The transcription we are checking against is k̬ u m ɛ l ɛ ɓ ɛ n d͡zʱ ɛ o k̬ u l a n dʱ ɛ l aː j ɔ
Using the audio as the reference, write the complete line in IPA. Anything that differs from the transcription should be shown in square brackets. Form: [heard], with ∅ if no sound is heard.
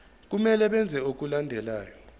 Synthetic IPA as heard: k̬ u m ɛ l ɛ ɓ ɛ n d͡zʱ ɛ o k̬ u l a n dʱ ɛ l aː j ɔ

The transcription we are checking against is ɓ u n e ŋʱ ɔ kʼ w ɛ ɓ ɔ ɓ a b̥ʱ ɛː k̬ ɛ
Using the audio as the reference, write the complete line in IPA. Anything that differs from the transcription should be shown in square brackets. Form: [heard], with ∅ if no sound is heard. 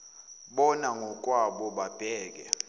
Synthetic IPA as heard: ɓ [ɔ] n [a] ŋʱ ɔ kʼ w [a] ɓ ɔ ɓ a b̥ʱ ɛː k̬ ɛ

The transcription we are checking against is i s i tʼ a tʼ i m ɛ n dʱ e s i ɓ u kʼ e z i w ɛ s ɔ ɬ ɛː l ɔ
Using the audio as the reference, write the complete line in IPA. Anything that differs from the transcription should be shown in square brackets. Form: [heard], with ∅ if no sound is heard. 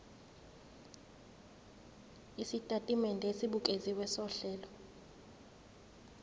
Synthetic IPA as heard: i s i tʼ a tʼ i m ɛ n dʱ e s i ɓ u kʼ e z i w ɛ s ɔ ɬ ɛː l ɔ

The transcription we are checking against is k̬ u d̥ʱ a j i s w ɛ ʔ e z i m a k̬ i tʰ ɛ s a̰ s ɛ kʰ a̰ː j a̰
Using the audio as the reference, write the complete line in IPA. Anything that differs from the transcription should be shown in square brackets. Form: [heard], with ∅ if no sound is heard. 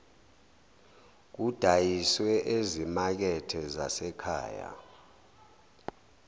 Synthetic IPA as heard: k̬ u d̥ʱ a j i s w ɛ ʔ e z i m a k̬ [ɛ] tʰ ɛ [z] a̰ s ɛ kʰ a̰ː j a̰

